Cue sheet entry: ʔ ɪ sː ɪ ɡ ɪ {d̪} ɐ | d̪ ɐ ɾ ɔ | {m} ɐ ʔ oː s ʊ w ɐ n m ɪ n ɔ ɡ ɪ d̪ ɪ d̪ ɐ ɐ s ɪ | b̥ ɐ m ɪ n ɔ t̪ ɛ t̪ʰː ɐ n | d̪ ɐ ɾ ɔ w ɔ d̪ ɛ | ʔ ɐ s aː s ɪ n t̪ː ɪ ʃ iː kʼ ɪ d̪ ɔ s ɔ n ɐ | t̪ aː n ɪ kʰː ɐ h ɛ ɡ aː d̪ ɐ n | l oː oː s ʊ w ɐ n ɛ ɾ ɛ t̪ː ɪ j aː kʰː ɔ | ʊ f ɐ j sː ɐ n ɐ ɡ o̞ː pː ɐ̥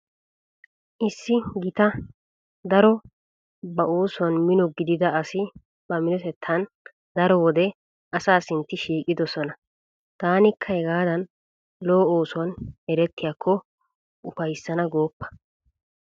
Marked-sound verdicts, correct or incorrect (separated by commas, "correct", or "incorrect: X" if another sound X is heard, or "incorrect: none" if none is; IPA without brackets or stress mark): incorrect: t̪, incorrect: b